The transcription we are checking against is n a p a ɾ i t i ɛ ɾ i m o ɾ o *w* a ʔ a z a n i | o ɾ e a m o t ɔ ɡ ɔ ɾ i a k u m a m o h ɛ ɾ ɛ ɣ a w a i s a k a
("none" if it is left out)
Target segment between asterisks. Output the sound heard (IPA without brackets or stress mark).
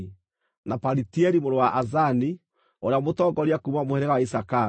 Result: w